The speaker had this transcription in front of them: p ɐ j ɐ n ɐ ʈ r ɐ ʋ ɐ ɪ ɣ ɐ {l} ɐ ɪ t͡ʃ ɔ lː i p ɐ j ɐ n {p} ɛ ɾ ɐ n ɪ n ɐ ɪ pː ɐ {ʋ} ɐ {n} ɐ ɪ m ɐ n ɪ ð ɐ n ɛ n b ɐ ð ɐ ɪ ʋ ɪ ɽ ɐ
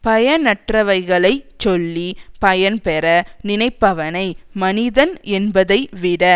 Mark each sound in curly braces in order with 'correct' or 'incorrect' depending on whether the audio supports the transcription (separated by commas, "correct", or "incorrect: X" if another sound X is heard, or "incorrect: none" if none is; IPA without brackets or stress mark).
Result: incorrect: ɭ, correct, correct, correct